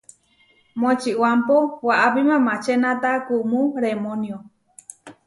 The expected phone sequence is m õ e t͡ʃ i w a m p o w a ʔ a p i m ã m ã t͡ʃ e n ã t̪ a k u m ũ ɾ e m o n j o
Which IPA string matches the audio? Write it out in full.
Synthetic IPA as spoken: m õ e t͡ʃ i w a m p o w a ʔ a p i m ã m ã t͡ʃ e n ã t̪ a k u m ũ ɾ e m o n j o